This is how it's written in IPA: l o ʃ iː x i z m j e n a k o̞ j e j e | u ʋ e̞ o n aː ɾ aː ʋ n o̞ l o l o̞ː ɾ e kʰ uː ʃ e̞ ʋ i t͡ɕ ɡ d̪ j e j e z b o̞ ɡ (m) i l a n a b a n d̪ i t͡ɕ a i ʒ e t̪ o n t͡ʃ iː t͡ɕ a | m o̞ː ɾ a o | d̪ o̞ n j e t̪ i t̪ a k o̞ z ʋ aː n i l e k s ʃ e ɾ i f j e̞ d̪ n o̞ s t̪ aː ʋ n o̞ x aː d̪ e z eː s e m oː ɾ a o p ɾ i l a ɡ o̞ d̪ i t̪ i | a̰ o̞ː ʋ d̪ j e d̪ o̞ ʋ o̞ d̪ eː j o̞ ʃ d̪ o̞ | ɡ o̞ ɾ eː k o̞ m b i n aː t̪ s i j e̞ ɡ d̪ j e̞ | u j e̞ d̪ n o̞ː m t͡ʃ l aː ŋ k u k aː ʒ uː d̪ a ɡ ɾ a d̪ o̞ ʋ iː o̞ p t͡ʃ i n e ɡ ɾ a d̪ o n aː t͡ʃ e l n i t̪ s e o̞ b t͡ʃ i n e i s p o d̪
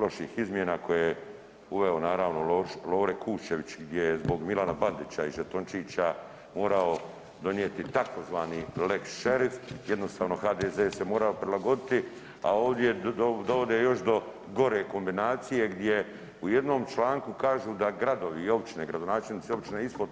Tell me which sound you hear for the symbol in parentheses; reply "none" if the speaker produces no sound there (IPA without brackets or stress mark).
m